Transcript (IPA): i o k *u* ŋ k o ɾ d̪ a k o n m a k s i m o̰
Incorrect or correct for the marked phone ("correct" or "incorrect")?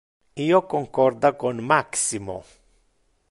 incorrect